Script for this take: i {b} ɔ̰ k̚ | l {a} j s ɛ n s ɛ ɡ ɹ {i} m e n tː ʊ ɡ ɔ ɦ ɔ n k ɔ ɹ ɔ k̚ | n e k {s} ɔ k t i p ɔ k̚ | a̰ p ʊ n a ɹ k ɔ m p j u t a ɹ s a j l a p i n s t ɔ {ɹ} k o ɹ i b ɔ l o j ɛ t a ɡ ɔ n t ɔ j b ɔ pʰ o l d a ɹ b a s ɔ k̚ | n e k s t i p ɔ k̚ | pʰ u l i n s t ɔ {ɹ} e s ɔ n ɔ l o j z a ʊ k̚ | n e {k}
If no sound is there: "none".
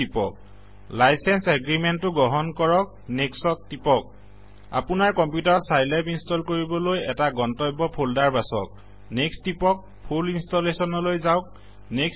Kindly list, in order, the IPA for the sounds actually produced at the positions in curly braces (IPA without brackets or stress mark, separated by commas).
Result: p, a, i, s, l, l, k